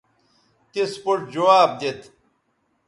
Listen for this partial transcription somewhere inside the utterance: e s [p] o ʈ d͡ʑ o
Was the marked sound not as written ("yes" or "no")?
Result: no